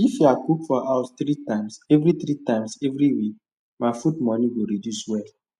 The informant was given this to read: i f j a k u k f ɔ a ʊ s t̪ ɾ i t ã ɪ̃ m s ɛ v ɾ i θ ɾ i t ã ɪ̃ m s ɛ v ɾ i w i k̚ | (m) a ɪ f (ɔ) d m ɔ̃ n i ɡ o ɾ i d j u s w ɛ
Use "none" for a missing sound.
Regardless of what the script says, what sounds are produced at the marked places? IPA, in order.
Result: m, u

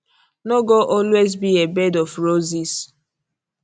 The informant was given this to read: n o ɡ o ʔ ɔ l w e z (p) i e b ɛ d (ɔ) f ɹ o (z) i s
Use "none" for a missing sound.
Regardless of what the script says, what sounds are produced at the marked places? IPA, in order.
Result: b, ɔ, z

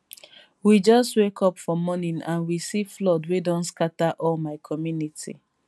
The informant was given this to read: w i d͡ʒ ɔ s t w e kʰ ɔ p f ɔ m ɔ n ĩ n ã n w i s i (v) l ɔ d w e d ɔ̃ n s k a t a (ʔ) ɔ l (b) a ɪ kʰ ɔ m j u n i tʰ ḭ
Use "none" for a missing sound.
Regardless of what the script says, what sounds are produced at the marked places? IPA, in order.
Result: f, ʔ, m

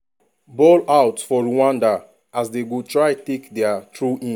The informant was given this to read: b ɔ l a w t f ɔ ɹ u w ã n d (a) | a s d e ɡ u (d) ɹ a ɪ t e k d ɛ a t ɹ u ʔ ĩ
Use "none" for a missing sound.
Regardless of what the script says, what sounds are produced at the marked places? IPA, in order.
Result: a, t

